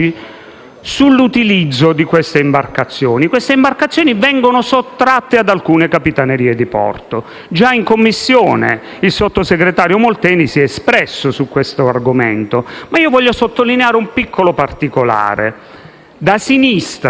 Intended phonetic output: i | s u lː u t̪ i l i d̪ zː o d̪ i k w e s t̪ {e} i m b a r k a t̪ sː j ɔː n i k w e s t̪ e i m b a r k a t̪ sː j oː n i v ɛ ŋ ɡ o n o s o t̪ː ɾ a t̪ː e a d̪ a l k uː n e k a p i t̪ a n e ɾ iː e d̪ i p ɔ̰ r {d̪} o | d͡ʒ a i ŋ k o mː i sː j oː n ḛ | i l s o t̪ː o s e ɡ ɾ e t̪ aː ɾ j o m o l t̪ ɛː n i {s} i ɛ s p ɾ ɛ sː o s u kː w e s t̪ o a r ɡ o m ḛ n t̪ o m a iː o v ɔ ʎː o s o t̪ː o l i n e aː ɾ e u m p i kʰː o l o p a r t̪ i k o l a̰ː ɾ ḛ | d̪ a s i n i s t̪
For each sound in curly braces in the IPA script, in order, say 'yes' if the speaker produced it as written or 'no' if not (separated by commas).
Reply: yes, no, yes